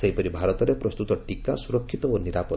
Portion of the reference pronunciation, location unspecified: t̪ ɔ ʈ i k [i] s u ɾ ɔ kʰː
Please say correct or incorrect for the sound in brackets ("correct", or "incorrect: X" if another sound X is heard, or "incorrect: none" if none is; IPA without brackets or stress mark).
incorrect: a